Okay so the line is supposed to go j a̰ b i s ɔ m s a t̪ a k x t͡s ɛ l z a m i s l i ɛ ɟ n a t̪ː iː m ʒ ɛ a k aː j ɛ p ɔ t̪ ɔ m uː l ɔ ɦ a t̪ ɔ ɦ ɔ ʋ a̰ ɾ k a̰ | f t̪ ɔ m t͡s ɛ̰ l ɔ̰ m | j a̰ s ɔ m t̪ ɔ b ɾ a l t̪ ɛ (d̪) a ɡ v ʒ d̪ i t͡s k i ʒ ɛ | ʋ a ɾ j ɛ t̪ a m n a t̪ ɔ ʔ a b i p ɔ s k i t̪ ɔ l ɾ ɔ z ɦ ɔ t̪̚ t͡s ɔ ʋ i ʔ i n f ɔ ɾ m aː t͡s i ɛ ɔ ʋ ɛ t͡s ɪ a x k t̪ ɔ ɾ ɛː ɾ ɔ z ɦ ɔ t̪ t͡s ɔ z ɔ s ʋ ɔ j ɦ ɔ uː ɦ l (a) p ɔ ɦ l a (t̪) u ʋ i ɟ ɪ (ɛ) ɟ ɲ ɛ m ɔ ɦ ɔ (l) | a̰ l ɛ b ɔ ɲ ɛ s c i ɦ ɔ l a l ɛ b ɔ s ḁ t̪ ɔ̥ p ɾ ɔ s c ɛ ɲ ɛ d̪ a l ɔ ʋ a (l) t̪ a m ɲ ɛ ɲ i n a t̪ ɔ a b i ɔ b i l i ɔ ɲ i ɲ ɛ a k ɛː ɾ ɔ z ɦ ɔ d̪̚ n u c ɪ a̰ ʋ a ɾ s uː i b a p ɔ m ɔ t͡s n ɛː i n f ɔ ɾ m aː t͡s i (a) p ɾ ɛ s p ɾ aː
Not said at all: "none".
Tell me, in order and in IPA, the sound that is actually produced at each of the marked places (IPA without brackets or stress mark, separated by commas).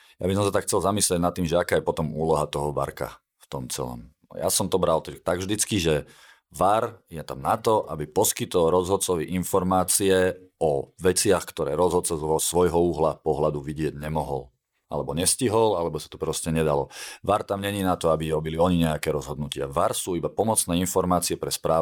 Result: t̪, a, d̪, ɛ, l, ɾ, ɛ